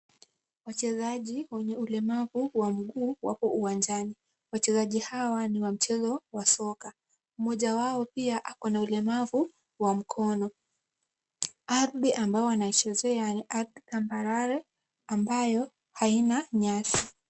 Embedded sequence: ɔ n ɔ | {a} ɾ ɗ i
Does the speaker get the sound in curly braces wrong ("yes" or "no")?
no